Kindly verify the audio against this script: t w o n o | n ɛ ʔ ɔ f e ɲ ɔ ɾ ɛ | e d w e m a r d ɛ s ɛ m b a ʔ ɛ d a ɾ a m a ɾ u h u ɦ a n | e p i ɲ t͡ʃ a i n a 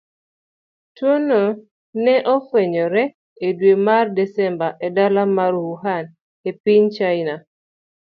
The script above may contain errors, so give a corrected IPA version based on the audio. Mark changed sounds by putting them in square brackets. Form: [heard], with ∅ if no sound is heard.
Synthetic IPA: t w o n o | n ɛ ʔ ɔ f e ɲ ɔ ɾ ɛ | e d w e m a r d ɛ s ɛ m b a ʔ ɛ d a [l] a m a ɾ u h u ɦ a n | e p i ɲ t͡ʃ a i n a